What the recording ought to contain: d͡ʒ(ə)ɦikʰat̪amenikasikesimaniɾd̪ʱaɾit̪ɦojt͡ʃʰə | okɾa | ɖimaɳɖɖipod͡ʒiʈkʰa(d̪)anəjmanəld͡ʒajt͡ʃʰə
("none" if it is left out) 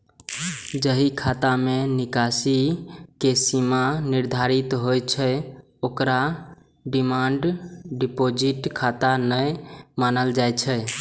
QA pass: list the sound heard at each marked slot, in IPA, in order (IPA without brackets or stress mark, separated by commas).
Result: ə, t̪